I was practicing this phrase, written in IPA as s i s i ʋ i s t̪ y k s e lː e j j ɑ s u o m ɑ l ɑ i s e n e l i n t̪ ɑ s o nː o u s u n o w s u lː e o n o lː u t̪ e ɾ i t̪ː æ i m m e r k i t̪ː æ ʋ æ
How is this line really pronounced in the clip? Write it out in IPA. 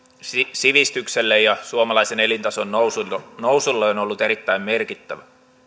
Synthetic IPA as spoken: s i s i ʋ i s t̪ y k s e lː e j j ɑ s u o m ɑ l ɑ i s e n e l i n t̪ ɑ s o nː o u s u n o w s u lː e o n o lː u t̪ e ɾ i t̪ː æ i m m e r k i t̪ː æ ʋ æ